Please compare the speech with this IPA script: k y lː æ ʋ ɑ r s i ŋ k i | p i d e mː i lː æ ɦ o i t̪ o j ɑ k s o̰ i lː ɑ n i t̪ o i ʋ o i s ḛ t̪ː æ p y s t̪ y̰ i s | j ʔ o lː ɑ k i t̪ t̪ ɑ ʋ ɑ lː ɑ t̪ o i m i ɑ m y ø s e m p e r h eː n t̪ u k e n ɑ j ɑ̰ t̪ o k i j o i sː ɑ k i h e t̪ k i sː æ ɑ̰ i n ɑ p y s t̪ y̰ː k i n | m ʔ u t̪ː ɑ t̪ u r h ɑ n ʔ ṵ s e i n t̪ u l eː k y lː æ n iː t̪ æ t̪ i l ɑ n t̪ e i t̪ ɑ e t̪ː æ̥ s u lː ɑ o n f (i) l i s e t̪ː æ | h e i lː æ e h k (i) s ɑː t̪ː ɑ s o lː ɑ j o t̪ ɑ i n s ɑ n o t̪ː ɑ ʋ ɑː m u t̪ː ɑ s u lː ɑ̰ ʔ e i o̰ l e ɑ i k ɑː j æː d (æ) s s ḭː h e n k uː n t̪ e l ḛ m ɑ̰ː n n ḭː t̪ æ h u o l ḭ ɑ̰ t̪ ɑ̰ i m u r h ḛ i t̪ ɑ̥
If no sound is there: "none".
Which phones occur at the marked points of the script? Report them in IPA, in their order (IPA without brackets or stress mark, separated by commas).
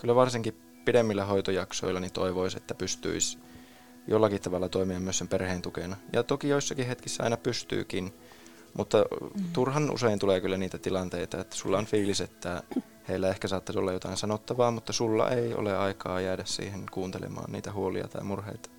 iː, æ, æ